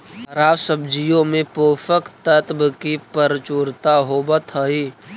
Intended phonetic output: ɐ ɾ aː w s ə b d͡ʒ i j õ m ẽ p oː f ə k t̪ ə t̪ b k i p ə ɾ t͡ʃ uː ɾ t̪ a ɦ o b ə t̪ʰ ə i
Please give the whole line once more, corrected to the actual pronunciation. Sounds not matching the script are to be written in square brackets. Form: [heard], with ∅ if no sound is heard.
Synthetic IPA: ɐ ɾ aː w s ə b d͡ʒ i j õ m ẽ p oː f ə k t̪ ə t̪ b k i p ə ɾ t͡ʃ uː ɾ t̪ a ɦ o b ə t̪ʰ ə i